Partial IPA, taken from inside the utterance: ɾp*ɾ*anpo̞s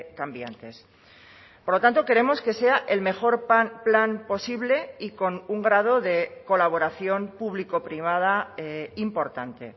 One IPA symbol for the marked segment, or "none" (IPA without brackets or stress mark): l